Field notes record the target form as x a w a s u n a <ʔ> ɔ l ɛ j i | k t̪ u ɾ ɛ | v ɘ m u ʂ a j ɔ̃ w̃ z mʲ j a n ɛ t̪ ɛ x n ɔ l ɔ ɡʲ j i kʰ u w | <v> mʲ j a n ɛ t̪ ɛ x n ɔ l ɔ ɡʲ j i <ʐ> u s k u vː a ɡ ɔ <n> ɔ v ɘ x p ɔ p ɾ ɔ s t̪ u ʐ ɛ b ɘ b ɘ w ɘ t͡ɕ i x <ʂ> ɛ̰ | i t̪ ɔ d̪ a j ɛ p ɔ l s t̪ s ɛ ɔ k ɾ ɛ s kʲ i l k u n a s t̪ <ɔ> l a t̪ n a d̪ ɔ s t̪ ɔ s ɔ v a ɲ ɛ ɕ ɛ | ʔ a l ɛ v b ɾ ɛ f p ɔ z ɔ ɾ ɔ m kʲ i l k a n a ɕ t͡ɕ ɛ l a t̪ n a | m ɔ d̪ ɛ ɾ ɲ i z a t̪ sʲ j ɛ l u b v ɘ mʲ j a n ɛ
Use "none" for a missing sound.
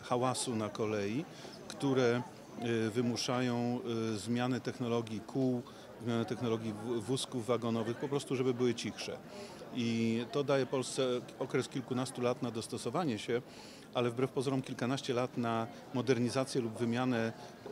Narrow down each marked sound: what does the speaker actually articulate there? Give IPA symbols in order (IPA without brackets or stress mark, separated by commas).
k, z, v, n, ʂ, u